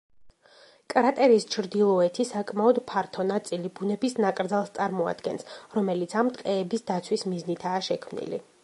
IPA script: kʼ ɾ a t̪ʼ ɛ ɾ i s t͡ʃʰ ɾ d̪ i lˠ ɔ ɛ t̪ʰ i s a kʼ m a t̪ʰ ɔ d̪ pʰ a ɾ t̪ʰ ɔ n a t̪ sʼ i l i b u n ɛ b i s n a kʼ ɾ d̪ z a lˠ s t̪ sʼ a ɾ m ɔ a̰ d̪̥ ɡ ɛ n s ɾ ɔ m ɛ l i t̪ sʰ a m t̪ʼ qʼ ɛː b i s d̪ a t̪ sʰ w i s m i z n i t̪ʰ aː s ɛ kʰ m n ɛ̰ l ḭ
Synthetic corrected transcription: kʼ ɾ a t̪ʼ ɛ ɾ i s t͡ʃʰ ɾ d̪ i lˠ ɔ ɛ t̪ʰ i s a kʼ m a ɔ d̪ pʰ a ɾ t̪ʰ ɔ n a t̪ sʼ i l i b u n ɛ b i s n a kʼ ɾ d̪ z a lˠ s t̪ sʼ a ɾ m ɔ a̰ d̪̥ ɡ ɛ n s ɾ ɔ m ɛ l i t̪ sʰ a m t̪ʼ qʼ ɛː b i s d̪ a t̪ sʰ w i s m i z n i t̪ʰ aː ʃ ɛ kʰ m n ḭ l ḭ